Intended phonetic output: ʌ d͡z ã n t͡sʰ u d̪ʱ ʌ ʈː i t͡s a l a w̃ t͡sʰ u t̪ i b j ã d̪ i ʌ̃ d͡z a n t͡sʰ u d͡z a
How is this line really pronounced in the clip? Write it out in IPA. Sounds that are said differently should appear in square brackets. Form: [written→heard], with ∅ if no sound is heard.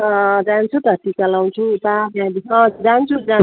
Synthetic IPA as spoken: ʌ d͡z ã n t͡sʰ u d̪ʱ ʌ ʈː i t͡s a l a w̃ t͡sʰ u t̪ [i→a] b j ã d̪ i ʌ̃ d͡z a n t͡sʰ u d͡z a